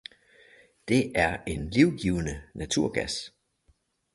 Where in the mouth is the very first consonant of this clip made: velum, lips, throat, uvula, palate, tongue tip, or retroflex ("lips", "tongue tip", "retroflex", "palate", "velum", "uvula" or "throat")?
tongue tip